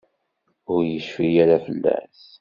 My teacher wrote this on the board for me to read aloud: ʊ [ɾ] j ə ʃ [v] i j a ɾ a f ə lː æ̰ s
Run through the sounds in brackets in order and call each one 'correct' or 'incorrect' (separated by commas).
correct, incorrect